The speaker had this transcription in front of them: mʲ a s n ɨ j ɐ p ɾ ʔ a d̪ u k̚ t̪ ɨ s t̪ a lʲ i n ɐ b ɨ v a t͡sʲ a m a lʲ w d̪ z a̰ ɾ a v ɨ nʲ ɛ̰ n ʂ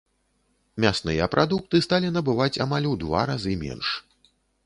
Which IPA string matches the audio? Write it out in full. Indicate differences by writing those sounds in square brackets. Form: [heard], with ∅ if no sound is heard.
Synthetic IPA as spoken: mʲ a s n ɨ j ɐ p ɾ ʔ a d̪ u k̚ t̪ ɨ s t̪ a lʲ i n ɐ b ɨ v a t͡sʲ a m a lʲ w d̪ [v] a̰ ɾ a [z] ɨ [mʲ] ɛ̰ n ʂ